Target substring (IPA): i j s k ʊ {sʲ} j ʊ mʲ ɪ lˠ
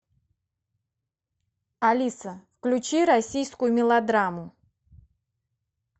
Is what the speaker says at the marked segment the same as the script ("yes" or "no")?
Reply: no